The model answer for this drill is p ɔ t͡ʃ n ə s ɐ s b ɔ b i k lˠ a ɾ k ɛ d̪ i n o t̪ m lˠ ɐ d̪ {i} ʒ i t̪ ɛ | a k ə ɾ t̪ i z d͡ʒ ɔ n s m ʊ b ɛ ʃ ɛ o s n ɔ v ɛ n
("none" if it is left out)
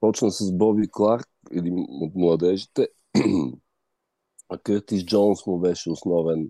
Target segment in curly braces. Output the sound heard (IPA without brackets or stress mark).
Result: ɛ